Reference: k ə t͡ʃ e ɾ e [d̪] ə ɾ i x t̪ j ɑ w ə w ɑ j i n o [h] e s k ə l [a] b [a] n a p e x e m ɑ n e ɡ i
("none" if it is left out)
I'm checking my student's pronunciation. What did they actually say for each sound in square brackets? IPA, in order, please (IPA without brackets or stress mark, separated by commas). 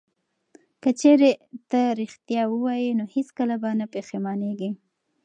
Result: t̪, h, a, a